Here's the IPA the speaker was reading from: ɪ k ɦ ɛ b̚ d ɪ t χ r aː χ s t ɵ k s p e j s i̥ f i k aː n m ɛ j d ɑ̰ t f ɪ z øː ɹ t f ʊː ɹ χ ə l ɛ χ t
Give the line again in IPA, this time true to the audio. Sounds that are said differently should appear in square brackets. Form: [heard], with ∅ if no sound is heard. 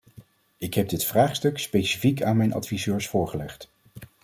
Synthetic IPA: ɪ k ɦ ɛ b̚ d ɪ t [f] r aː χ s t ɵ k s p e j s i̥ f i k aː n m ɛ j [n] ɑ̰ t f [i] z øː ɹ [s] f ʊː ɹ χ ə l ɛ χ t